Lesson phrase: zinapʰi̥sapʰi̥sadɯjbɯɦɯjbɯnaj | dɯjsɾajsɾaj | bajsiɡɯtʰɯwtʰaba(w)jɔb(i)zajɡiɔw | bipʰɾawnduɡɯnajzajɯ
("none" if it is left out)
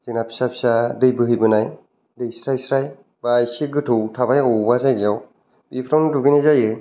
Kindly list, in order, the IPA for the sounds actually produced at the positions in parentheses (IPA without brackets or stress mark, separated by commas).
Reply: none, a